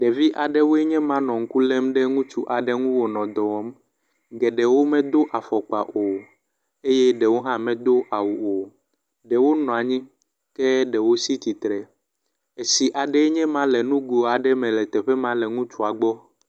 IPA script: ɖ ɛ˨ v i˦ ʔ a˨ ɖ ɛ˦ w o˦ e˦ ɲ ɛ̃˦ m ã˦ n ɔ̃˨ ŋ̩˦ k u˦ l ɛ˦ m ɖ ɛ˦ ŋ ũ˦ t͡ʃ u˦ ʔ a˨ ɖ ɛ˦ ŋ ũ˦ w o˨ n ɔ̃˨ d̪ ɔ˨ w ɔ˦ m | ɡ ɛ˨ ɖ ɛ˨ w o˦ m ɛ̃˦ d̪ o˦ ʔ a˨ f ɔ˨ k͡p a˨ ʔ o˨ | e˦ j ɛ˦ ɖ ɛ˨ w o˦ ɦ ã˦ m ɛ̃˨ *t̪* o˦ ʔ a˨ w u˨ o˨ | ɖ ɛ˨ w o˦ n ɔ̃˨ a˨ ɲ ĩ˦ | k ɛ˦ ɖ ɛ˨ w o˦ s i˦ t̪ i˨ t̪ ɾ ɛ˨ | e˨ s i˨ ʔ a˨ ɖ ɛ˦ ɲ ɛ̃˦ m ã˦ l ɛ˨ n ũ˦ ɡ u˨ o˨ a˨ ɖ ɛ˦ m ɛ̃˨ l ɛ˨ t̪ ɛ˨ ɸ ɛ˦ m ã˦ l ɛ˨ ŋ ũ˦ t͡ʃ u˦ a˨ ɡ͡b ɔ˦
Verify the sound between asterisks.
incorrect: d̪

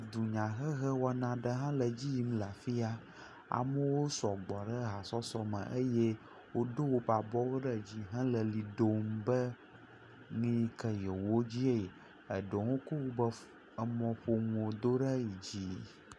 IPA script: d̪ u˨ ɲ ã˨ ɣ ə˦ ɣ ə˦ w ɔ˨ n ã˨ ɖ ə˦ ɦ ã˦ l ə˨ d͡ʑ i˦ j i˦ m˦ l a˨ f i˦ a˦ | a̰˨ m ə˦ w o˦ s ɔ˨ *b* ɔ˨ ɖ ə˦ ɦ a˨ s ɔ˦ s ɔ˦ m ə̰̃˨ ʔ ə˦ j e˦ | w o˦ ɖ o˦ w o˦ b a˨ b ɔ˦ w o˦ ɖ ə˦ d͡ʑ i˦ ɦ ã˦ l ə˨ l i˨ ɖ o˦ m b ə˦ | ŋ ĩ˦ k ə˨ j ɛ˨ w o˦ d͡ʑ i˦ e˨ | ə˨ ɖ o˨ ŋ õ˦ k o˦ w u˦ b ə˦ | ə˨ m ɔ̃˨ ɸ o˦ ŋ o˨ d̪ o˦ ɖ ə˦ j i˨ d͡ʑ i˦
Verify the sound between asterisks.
incorrect: ɡ͡b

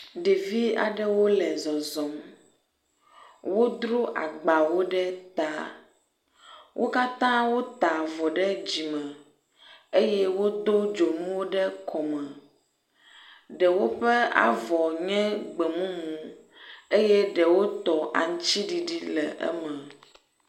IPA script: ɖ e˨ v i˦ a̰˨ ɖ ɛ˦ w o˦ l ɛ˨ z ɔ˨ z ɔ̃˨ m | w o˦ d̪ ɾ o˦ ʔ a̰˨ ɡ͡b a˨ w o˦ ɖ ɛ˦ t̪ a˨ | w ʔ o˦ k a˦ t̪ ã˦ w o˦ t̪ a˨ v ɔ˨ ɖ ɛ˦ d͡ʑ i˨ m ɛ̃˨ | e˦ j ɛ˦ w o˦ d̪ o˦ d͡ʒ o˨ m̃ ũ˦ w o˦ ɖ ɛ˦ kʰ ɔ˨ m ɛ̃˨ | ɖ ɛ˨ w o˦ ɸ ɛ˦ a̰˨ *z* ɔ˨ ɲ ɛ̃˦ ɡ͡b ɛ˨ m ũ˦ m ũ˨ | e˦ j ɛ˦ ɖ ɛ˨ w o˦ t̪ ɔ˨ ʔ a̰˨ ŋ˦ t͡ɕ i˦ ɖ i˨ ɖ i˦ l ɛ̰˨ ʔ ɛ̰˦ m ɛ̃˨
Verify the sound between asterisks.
incorrect: v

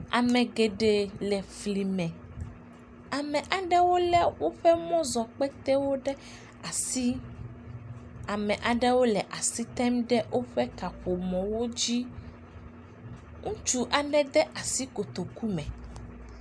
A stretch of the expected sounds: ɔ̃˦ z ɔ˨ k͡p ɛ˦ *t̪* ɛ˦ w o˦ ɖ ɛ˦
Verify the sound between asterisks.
correct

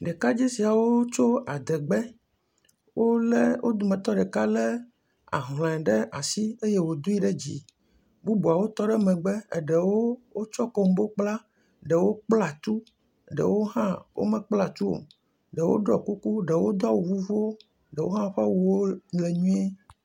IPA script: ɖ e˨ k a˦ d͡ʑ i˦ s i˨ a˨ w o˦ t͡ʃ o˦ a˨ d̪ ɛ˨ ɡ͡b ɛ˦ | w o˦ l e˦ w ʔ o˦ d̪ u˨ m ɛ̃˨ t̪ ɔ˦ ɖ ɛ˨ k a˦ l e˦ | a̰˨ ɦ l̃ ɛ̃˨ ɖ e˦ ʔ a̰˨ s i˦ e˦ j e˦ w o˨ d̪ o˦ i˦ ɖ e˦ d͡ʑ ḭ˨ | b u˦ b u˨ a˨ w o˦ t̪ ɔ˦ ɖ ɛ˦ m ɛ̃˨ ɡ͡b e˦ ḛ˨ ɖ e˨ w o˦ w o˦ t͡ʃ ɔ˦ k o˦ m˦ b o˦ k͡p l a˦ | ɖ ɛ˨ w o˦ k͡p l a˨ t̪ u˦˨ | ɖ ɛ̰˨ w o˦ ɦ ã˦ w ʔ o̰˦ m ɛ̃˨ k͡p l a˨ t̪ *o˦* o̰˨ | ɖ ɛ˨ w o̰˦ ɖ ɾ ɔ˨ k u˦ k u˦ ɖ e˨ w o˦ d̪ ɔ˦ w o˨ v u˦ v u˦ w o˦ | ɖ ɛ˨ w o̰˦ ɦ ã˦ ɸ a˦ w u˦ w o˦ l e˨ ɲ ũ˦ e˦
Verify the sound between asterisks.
incorrect: u˦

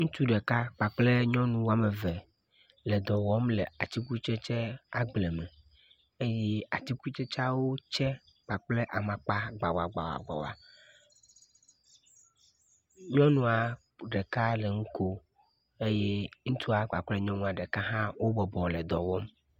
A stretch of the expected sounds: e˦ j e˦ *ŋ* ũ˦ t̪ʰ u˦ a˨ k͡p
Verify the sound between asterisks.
correct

